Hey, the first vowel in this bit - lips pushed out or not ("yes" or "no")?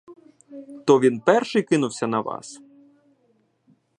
yes